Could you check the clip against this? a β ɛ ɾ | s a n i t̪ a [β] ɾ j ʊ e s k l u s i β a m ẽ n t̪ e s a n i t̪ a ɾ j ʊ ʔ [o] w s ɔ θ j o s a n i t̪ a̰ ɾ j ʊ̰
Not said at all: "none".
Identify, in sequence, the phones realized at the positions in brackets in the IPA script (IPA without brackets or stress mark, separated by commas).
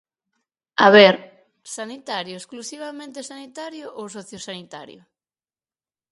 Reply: none, o